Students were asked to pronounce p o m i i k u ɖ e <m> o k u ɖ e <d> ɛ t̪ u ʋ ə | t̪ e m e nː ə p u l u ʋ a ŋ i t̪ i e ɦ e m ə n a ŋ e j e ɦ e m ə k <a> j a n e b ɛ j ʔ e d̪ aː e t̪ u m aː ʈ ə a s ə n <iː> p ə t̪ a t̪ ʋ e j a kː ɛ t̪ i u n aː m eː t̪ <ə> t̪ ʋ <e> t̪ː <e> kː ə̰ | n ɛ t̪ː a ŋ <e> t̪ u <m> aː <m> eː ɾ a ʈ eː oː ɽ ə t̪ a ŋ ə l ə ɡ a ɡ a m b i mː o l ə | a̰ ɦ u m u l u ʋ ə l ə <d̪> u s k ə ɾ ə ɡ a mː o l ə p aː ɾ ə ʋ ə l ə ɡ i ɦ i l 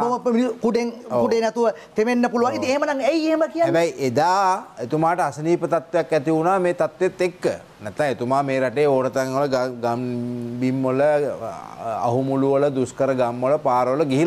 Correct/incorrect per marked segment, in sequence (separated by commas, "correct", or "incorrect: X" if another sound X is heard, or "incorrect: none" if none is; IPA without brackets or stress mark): incorrect: ŋ, incorrect: n, incorrect: i, correct, incorrect: a, correct, correct, correct, correct, correct, correct